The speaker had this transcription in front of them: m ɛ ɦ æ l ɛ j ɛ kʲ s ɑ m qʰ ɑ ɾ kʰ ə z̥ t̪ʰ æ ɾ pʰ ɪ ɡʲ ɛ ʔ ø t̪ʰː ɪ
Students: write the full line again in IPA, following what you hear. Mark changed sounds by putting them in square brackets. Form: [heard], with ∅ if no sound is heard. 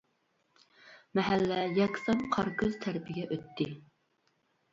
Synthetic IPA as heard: m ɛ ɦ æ [lː] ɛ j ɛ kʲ s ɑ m qʰ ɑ ɾ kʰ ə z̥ t̪ʰ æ ɾ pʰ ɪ ɡʲ ɛ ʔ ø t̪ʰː ɪ